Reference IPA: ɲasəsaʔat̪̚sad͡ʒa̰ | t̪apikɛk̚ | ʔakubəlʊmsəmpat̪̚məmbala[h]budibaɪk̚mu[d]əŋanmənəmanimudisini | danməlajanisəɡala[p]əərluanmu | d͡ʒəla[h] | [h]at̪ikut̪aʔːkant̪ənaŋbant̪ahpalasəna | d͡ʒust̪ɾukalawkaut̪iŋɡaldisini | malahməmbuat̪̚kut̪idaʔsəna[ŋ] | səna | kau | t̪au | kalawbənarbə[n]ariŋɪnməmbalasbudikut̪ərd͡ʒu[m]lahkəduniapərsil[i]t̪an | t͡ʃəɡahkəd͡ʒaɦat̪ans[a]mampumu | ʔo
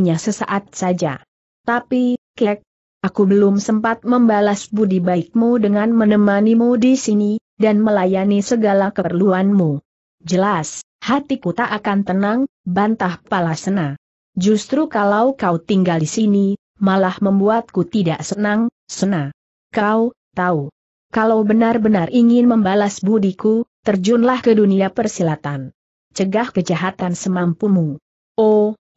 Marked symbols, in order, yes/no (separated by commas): no, yes, no, no, yes, yes, yes, no, no, no